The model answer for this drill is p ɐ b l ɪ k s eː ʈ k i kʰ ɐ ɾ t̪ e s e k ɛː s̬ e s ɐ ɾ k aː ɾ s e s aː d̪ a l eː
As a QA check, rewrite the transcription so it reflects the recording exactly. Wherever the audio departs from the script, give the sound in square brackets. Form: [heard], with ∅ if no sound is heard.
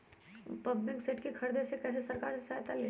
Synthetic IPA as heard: p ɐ b l ɪ k s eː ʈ k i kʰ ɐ ɾ [d̪] e s e k ɛː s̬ e s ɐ ɾ k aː ɾ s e s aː [t̪] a l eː